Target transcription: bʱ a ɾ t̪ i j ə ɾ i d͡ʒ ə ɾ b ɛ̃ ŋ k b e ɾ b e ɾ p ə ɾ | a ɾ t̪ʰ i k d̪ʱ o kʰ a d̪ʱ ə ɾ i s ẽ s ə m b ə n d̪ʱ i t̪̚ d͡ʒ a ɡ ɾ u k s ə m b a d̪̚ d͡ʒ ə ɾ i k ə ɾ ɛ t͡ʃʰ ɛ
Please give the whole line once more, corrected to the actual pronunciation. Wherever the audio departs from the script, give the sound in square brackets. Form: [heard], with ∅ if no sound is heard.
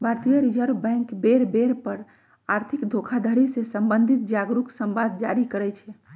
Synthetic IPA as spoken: bʱ a ɾ t̪ i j ə ɾ i d͡ʒ ə ɾ b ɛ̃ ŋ k b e ɾ b e ɾ p ə ɾ | a ɾ t̪ʰ i k d̪ʱ o kʰ a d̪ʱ ə ɾ i s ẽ s ə m b ə n d̪ʱ i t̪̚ d͡ʒ a ɡ ɾ u k s ə m b a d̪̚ d͡ʒ [a] ɾ i k ə ɾ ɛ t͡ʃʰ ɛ